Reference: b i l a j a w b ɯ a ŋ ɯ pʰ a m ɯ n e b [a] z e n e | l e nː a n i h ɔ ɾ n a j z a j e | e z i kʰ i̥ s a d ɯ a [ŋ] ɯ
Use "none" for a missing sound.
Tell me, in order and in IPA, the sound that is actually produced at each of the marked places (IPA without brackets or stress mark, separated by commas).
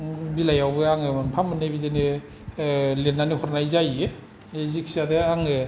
i, ŋ